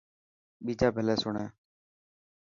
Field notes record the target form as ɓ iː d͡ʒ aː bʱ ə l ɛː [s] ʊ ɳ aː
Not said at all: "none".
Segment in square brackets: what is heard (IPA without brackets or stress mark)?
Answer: s